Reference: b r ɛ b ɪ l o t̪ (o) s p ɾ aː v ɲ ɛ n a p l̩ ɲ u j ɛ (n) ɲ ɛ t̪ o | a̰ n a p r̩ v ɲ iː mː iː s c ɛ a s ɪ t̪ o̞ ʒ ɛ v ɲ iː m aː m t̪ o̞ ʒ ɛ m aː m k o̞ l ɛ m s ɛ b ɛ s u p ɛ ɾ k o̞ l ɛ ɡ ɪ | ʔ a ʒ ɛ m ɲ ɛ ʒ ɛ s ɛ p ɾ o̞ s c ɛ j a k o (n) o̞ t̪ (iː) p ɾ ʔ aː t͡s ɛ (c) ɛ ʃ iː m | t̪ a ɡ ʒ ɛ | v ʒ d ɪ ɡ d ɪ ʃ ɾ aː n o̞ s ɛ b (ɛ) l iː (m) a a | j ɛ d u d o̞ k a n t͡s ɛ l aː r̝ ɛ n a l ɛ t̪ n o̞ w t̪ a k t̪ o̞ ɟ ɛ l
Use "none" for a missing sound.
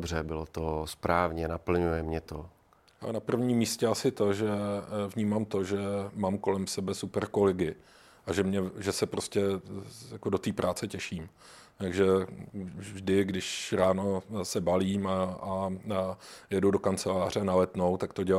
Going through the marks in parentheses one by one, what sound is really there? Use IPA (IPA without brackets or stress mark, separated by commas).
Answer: o, m, d, iː, c, a, m